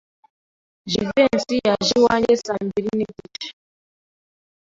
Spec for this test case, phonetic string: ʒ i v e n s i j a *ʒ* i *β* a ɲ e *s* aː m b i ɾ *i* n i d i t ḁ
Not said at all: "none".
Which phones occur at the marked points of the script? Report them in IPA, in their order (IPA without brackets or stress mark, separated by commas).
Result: ʒ, w, s, i